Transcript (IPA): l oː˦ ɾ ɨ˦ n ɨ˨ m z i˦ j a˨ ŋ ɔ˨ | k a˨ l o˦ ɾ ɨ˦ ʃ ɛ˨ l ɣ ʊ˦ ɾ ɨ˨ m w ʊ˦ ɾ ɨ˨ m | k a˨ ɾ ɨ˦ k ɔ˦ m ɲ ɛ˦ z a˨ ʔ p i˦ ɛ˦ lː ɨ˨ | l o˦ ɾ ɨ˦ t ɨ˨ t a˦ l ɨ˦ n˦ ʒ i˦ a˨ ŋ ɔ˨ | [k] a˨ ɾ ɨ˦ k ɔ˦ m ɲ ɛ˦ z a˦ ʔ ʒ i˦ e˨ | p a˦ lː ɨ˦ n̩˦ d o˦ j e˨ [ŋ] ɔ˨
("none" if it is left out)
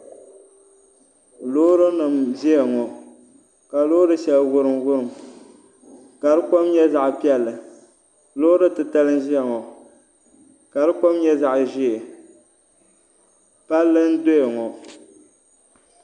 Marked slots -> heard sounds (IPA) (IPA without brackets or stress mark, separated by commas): k, ŋ